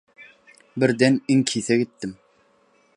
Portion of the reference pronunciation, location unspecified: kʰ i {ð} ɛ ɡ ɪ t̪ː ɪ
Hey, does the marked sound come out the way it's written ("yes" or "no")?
no